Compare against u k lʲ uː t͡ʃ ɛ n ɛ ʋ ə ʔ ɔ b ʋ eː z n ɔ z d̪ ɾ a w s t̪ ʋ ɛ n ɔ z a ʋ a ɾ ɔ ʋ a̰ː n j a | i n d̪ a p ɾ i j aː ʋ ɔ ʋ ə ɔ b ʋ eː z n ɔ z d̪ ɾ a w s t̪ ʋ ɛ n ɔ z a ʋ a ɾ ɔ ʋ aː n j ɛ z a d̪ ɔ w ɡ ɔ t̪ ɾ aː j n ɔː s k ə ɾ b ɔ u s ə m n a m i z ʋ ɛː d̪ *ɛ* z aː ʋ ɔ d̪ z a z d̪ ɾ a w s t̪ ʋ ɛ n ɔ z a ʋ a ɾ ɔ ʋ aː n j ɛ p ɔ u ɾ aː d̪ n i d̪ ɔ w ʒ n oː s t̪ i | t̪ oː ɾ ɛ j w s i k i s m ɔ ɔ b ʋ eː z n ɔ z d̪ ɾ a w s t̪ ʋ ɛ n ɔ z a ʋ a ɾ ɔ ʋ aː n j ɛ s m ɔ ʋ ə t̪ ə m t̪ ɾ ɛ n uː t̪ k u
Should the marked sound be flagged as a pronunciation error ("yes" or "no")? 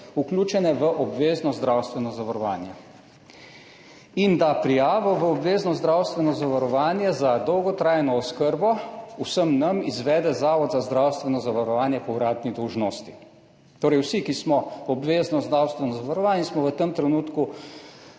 no